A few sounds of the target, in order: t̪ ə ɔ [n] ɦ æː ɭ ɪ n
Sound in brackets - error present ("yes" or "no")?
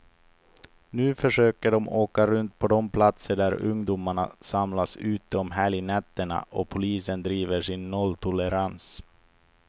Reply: yes